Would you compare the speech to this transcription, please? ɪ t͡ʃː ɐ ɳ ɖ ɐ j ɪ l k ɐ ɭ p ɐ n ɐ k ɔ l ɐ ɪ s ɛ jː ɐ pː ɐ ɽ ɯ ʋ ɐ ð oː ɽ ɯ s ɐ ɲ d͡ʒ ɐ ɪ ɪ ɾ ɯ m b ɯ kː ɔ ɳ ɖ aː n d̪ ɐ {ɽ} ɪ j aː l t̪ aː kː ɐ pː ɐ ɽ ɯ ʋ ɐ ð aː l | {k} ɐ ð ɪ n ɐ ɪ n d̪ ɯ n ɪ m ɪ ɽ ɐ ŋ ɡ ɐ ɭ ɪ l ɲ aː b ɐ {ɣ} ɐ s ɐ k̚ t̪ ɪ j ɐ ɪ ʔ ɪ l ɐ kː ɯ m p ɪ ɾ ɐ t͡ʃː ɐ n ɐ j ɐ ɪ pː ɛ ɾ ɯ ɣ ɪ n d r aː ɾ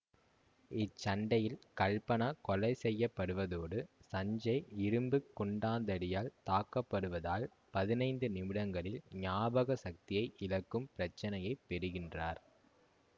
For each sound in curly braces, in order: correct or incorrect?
correct, incorrect: p, correct

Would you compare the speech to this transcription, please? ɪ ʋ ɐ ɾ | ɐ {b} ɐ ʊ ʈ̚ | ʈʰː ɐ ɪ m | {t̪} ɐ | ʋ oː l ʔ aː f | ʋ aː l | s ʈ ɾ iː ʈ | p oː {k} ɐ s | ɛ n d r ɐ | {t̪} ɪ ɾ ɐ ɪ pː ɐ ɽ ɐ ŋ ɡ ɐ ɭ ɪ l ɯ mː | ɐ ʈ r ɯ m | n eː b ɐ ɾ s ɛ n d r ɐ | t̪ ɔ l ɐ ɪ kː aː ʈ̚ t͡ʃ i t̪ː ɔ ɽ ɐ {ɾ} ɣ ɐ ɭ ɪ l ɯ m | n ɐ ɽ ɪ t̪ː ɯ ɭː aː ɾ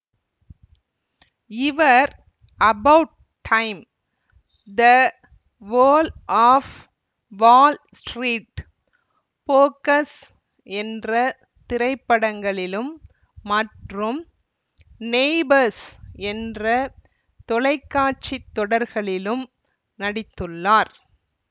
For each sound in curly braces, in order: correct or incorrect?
correct, incorrect: d̪, correct, correct, correct

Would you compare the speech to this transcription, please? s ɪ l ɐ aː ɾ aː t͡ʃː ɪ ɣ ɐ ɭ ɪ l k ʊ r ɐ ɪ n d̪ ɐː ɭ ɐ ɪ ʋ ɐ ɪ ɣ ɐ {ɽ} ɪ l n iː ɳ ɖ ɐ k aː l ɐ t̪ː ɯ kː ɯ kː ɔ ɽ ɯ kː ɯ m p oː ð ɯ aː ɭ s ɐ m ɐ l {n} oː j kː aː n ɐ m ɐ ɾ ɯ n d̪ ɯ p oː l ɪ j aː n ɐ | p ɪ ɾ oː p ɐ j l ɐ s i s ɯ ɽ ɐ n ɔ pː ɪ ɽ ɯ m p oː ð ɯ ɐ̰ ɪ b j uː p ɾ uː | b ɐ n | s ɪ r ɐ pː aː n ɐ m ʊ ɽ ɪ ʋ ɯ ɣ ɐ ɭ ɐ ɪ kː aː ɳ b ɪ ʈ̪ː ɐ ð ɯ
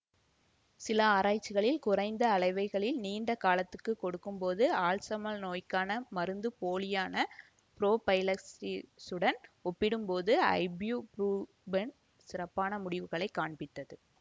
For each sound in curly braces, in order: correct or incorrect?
incorrect: ɭ, correct

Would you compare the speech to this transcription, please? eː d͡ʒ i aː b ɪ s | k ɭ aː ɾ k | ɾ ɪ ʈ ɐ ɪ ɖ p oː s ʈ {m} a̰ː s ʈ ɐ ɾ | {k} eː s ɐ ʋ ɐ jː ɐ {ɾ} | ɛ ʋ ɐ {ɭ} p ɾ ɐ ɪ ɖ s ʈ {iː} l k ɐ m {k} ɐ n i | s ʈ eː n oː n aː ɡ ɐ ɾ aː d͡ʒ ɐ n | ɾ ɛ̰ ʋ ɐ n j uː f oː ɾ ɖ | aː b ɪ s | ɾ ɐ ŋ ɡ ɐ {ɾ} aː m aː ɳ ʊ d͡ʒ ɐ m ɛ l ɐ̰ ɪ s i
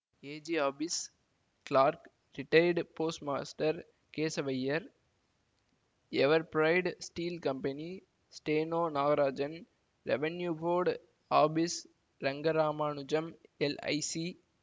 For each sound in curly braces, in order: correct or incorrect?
correct, correct, correct, incorrect: ɾ, correct, incorrect: p, correct

